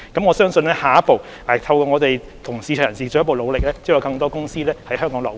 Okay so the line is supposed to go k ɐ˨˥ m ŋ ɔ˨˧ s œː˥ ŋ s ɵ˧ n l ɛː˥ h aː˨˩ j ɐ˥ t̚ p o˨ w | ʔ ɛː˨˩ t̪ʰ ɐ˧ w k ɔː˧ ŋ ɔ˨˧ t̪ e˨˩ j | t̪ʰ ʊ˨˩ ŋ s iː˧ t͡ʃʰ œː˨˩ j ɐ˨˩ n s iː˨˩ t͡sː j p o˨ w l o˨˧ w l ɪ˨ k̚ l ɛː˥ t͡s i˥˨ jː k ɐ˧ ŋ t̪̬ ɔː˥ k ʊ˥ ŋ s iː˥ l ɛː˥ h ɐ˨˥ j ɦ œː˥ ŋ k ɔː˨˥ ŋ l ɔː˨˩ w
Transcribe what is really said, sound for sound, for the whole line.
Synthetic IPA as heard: k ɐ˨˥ m ŋ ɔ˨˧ s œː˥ ŋ s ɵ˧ n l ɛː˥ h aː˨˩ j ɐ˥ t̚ p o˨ w | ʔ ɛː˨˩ t̪ʰ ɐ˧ w k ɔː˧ ŋ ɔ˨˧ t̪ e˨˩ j | t̪ʰ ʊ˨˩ ŋ s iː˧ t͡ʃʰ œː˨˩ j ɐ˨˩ n s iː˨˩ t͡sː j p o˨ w l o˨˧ w l ɪ˨ k̚ l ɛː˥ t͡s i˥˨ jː k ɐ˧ ŋ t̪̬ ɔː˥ k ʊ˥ ŋ s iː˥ l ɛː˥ h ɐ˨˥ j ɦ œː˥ ŋ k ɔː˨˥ ŋ l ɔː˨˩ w